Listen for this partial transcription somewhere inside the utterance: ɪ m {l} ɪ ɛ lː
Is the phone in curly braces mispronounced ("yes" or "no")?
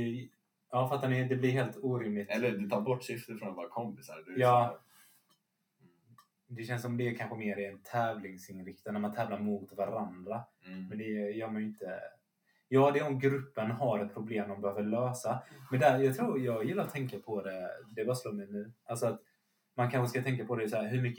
no